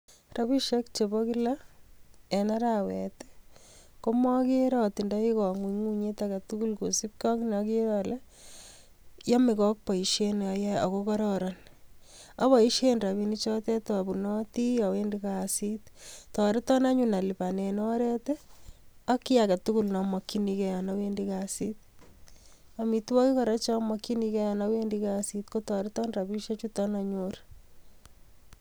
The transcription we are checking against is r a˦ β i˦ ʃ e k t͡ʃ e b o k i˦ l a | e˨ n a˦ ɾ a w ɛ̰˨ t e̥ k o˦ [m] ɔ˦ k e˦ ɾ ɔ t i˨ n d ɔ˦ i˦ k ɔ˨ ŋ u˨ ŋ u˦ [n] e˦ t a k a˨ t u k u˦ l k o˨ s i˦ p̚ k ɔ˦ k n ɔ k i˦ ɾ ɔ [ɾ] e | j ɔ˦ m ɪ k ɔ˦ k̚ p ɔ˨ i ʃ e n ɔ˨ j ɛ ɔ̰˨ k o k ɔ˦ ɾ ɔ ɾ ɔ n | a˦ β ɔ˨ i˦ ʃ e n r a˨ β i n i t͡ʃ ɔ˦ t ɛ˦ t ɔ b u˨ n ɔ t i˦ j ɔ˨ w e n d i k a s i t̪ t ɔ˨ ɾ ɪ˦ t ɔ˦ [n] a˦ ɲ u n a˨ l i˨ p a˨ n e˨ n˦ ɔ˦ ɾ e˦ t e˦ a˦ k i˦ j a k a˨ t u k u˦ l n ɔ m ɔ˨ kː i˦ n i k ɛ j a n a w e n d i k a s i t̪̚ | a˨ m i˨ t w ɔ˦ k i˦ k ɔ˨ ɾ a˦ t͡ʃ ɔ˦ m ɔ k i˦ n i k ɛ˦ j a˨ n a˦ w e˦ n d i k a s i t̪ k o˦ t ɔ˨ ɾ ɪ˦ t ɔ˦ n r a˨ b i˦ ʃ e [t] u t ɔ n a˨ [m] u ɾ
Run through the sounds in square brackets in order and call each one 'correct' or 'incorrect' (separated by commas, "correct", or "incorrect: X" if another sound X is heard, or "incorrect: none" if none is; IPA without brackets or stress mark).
correct, incorrect: ɲ, incorrect: l, correct, incorrect: t͡ʃ, incorrect: ɲ